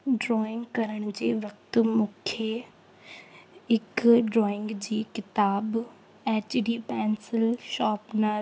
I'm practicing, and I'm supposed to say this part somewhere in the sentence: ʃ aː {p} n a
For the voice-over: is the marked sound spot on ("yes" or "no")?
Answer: yes